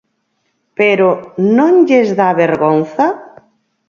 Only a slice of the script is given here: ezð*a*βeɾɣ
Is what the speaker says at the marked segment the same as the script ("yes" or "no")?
yes